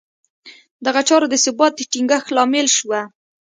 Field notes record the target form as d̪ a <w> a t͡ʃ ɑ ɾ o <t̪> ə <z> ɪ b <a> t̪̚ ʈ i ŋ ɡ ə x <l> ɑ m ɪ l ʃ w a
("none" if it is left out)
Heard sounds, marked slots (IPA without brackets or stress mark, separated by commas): ɣ, d̪, s, ɑ, l